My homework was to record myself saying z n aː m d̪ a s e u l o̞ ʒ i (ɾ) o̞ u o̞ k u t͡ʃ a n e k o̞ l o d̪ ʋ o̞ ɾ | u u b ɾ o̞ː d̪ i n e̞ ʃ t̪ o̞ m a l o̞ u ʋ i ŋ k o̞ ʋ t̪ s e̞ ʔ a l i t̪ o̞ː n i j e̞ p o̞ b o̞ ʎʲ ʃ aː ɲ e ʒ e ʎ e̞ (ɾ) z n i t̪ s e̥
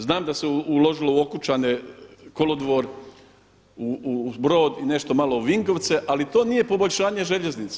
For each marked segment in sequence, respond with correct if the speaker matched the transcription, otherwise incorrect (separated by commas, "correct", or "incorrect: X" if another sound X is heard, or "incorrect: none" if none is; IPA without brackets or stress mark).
incorrect: l, incorrect: none